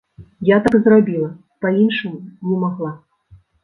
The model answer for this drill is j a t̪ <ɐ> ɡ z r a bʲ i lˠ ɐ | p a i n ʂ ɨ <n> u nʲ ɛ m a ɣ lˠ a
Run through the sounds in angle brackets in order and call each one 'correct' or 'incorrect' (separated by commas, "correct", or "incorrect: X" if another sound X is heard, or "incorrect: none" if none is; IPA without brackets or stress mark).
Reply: incorrect: a, incorrect: m